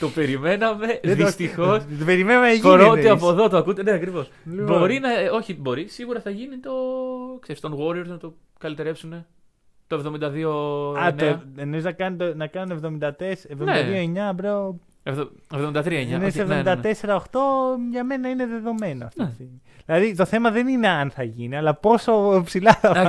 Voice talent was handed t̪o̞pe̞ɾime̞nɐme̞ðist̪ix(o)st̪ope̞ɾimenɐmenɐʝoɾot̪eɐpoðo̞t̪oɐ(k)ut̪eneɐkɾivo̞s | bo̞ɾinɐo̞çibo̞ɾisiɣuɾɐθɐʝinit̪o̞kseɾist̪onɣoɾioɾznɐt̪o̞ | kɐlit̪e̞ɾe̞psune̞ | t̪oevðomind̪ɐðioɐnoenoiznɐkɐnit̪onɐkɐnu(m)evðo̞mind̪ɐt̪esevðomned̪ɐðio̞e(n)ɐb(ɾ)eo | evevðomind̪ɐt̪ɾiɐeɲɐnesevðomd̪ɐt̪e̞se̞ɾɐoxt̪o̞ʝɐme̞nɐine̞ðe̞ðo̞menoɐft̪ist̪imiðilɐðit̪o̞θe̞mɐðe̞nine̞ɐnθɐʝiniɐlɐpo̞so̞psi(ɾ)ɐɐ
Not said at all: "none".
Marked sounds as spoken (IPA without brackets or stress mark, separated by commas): o, k, n, ɲ, ɾ, l